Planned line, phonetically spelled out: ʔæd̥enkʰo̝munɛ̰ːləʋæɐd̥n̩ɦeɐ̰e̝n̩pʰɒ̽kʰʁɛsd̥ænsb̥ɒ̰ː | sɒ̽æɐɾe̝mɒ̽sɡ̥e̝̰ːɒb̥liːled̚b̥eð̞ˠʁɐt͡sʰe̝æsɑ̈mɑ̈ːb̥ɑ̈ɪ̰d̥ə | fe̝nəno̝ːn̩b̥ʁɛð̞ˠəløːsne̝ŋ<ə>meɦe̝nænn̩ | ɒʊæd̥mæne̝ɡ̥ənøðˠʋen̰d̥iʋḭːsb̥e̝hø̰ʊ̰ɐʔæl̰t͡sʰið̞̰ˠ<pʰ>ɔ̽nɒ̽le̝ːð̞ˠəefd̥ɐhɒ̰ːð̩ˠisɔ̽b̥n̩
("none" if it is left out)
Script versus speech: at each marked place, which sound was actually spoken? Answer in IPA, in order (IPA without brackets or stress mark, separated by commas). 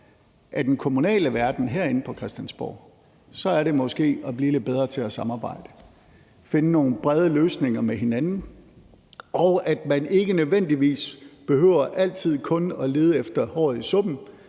ɐ, kʰ